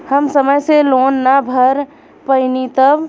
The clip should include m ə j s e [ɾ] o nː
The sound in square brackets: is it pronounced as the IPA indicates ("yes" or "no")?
no